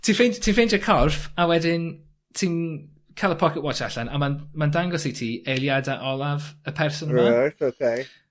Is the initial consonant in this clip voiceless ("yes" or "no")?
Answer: yes